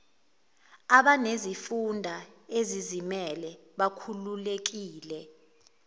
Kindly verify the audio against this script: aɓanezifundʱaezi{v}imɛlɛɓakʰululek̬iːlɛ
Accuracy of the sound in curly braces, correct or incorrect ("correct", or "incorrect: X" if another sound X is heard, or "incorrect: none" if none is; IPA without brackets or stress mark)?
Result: incorrect: z